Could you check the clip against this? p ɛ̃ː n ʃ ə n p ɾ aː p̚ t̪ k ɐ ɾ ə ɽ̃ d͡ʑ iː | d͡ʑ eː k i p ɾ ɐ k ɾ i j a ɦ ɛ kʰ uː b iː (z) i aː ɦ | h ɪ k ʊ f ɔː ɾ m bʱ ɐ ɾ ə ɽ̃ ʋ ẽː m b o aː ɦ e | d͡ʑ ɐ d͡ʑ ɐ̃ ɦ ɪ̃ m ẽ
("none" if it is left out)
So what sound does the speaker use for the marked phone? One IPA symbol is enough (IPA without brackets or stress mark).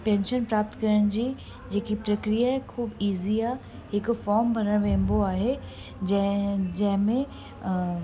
z